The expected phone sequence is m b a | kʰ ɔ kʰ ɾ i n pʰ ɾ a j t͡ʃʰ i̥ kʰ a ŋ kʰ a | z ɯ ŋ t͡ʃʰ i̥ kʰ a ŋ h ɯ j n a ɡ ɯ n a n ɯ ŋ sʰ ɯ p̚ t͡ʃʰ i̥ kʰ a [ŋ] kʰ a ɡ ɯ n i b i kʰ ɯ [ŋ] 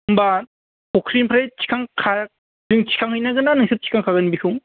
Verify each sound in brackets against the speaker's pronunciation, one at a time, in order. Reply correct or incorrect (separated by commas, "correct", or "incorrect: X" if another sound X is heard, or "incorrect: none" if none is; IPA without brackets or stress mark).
correct, correct